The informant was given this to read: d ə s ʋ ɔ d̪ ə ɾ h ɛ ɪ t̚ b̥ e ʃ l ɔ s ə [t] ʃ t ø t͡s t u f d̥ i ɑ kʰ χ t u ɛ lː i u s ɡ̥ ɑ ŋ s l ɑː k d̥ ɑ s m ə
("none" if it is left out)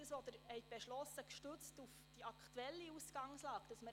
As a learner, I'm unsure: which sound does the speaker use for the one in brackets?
k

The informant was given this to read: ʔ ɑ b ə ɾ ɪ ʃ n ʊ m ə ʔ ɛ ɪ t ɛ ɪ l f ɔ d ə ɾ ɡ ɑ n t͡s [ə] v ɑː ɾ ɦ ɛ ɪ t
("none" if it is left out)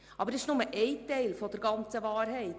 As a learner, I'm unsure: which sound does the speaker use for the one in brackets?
ə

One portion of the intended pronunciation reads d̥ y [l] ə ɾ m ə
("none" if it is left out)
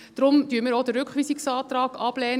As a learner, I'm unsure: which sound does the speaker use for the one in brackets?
none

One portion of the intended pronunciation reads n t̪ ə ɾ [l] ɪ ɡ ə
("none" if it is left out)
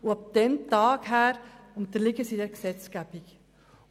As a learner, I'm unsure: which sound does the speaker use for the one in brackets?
l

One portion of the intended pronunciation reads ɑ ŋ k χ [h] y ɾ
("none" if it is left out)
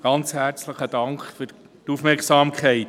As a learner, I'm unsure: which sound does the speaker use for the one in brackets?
f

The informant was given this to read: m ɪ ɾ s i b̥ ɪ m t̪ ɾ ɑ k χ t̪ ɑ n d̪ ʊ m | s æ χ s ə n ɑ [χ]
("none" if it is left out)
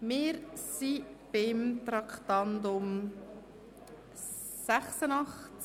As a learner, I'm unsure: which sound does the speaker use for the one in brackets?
χ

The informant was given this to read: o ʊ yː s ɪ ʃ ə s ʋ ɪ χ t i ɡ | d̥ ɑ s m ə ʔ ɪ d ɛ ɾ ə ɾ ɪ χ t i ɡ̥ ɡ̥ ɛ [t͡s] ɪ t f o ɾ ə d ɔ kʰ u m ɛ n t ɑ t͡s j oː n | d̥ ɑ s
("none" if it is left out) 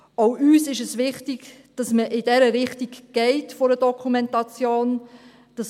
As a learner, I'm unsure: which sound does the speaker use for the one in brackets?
none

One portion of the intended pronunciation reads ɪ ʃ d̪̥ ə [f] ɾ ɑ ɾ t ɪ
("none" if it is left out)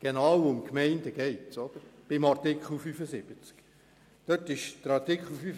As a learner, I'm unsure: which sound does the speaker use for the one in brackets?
none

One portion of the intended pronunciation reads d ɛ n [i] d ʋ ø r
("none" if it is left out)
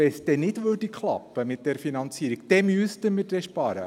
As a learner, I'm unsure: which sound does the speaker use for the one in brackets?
ɪ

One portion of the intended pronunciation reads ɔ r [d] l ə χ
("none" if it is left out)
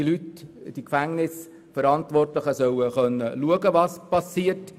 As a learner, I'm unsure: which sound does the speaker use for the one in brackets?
t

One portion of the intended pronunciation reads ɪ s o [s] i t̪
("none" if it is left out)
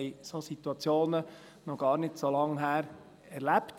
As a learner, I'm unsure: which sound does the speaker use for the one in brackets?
s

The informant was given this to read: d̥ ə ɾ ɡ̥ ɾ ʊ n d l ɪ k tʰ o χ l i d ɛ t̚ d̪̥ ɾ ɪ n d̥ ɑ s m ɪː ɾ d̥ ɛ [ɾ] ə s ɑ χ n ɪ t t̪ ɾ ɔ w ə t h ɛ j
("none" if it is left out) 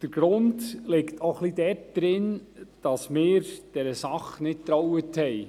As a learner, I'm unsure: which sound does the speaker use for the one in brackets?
ɾ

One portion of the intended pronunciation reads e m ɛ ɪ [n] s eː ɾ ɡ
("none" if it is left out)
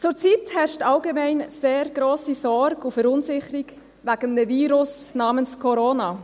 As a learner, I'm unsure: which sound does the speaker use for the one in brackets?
n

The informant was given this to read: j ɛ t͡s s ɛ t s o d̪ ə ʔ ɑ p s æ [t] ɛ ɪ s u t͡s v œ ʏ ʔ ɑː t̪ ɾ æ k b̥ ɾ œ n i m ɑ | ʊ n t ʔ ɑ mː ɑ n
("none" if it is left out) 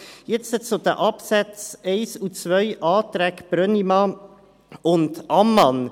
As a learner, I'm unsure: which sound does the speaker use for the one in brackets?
t͡s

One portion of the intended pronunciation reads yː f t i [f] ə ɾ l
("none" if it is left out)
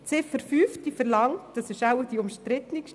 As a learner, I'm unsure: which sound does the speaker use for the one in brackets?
f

